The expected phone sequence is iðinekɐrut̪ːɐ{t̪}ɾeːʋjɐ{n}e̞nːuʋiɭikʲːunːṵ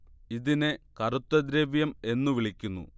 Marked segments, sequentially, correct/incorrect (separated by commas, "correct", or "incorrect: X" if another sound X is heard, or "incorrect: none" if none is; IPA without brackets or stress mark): incorrect: d̪, incorrect: m